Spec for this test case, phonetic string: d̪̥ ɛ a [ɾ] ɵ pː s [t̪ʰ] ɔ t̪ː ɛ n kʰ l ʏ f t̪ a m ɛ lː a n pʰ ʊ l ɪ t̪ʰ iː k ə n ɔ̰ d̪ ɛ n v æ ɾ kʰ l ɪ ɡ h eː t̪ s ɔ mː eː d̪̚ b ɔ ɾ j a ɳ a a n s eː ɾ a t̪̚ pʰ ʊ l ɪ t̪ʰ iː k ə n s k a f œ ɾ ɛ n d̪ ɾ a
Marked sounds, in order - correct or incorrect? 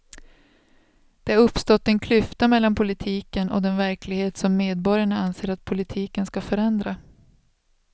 correct, incorrect

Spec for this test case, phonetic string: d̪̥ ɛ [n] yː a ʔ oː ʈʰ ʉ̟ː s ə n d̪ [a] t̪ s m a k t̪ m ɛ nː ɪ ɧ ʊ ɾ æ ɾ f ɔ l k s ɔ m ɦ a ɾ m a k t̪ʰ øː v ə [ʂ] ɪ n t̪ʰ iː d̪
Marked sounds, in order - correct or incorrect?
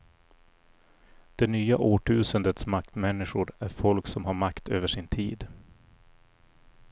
correct, incorrect, correct

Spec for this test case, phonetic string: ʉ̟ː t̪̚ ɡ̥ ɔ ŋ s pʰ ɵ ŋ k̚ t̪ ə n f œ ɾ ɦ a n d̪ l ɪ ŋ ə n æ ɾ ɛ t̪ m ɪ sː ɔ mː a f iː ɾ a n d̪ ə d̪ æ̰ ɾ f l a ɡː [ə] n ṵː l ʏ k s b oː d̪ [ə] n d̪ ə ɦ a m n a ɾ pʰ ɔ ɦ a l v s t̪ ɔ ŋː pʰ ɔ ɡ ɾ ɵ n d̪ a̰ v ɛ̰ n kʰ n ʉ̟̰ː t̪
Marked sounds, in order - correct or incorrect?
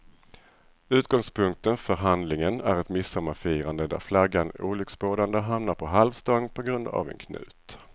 incorrect, incorrect

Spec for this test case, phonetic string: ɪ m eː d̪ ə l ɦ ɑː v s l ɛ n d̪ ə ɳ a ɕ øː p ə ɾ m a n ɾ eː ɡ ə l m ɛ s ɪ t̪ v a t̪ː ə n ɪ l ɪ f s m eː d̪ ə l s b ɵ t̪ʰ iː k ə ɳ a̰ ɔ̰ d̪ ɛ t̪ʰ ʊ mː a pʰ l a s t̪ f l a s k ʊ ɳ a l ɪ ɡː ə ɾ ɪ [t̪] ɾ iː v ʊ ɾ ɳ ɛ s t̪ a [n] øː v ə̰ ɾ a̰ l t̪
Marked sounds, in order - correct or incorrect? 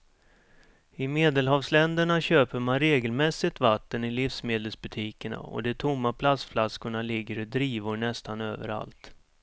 incorrect, correct

